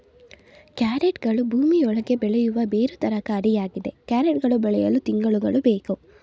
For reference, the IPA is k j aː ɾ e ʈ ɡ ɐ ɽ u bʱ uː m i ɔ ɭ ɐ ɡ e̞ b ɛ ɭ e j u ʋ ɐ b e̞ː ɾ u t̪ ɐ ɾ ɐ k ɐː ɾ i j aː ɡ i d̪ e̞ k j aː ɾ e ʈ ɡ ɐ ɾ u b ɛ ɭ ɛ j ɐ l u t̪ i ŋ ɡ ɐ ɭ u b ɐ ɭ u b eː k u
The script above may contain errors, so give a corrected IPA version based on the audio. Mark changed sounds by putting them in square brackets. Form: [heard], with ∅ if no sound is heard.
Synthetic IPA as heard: k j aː ɾ e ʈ ɡ ɐ [ɭ] u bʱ uː m i ɔ ɭ ɐ ɡ e̞ b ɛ ɭ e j u ʋ ɐ b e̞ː ɾ u t̪ ɐ ɾ ɐ k ɐː ɾ i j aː ɡ i d̪ e̞ k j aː ɾ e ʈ ɡ ɐ [ɭ] u b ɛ ɭ ɛ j ɐ l u t̪ i ŋ ɡ ɐ ɭ u [ɡ] ɐ ɭ u b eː k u